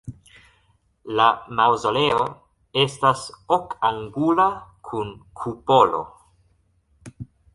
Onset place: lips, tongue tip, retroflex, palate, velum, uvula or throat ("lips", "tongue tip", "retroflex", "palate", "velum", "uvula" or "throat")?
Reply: tongue tip